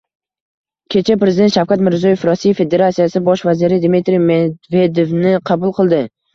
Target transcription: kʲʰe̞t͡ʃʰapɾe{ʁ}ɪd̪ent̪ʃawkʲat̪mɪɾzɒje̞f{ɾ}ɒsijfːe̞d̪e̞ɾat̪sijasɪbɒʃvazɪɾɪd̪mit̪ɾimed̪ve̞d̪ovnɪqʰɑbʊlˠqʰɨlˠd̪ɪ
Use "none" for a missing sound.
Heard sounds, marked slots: z, ɾ

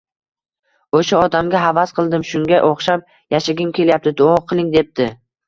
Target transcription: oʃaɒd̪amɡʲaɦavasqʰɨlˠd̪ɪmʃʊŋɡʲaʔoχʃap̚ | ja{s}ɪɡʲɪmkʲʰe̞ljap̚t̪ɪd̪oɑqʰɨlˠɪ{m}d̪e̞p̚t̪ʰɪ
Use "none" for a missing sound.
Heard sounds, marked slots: ʃ, ŋ

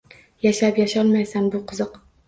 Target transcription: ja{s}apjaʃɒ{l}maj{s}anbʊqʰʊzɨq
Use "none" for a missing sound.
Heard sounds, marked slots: ʃ, l, s

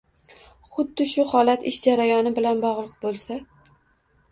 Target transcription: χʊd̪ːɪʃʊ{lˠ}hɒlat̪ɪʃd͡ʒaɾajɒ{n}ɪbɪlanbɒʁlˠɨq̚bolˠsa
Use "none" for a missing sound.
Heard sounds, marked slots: none, n

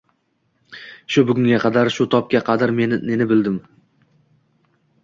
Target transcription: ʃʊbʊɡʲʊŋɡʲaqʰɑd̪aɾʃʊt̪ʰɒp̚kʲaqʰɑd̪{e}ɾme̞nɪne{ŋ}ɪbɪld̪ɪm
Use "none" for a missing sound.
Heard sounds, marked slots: a, n

